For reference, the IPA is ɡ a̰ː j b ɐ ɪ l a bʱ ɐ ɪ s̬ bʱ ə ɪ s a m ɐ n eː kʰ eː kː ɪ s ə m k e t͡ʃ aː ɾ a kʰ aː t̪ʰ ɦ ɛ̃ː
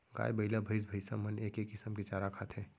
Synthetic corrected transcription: ɡ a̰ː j b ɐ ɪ l a bʱ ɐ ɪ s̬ bʱ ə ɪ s a m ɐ n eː k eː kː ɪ s ə m k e t͡ʃ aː ɾ a kʰ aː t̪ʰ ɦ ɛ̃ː

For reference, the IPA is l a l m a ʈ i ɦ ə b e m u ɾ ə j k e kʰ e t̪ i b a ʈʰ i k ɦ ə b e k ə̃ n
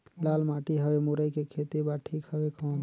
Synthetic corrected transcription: l a l m a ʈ i ɦ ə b e m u ɾ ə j k e kʰ e t̪ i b a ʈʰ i k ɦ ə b e k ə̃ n

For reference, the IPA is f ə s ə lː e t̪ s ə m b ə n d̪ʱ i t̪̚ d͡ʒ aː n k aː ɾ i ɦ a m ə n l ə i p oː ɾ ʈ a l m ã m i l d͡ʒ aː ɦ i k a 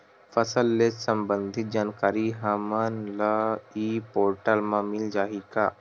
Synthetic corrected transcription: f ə s ə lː e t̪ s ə m b ə n d̪ʱ i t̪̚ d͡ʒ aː n k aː ɾ i ɦ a m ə n l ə i p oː ɾ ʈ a l m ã m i l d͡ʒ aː ɦ i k a

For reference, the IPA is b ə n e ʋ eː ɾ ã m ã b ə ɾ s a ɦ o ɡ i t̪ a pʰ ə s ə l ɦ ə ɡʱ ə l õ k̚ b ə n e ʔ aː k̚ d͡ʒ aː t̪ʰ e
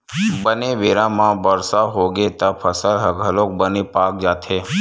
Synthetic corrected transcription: b ə n e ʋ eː ɾ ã m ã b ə ɾ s a ɦ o ɡ e t̪ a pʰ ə s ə l ɦ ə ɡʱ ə l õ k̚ b ə n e p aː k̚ d͡ʒ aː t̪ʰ e

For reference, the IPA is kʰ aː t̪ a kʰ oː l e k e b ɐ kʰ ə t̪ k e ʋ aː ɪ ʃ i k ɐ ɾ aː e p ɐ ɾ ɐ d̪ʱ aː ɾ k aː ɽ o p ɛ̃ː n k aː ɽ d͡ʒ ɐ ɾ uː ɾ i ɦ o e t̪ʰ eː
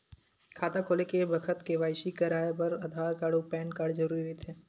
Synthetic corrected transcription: kʰ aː t̪ a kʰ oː l e k e b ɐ kʰ ə t̪ k e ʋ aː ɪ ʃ i k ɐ ɾ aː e p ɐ ɾ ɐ d̪ʱ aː ɾ k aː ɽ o p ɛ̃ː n k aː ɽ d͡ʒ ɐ ɾ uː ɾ i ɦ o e t̪ʰ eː

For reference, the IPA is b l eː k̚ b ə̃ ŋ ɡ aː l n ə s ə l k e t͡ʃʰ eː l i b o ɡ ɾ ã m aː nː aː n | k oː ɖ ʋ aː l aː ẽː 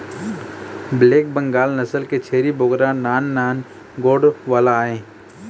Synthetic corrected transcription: b l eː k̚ b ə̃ ŋ ɡ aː l n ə s ə l k e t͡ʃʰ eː ɾ i b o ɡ ɾ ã n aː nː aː n | ɡ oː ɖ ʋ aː l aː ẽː

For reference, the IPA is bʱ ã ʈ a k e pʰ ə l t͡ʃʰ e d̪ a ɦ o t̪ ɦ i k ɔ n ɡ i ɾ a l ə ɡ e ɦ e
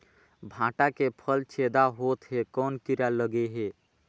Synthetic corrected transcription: bʱ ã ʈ a k e pʰ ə l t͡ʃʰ e d̪ a ɦ o t̪ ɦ e k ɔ n k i ɾ a l ə ɡ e ɦ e

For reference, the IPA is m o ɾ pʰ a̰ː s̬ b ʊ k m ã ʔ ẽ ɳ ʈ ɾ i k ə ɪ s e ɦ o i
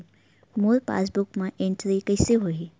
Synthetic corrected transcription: m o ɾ p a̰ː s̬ b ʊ k m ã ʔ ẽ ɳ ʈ ɾ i k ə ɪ s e ɦ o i

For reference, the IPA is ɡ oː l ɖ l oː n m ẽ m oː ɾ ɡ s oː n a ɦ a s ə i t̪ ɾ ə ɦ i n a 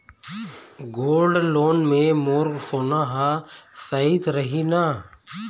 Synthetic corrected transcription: ɡ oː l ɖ l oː n m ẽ m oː ɾ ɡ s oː n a ɦ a s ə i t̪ ɾ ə ɦ i n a

